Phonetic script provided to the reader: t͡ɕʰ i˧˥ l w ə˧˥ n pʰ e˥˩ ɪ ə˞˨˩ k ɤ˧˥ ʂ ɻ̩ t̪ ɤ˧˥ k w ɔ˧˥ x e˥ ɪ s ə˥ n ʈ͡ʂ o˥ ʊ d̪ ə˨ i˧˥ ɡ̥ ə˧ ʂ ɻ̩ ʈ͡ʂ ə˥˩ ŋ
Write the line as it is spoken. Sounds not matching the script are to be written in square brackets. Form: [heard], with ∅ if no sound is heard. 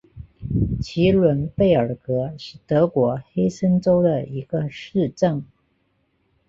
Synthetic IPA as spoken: t͡ɕʰ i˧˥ l w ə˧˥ n [p] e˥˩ ɪ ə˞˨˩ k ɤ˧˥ ʂ ɻ̩ t̪ ɤ˧˥ k w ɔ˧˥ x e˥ ɪ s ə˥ n ʈ͡ʂ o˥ ʊ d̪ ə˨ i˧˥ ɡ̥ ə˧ ʂ ɻ̩ ʈ͡ʂ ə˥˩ ŋ